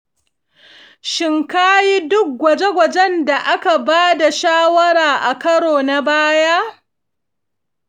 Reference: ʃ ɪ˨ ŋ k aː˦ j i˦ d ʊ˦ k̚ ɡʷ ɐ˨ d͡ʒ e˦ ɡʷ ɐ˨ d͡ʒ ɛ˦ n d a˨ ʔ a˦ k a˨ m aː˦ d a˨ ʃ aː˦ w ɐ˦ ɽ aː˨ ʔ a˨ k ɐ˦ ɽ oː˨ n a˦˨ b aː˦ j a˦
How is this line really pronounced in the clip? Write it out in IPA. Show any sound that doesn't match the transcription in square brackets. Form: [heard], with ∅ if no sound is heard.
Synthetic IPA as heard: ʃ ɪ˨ ŋ k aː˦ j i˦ d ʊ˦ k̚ ɡʷ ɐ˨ d͡ʒ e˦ ɡʷ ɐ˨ d͡ʒ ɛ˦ n d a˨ ʔ a˦ k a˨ [b] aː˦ d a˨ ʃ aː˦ w ɐ˦ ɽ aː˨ ʔ a˨ k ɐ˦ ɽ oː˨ n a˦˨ b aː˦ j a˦